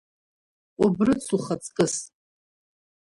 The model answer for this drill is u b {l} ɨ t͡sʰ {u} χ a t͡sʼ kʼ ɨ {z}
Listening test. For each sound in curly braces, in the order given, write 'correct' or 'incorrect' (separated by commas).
incorrect, correct, incorrect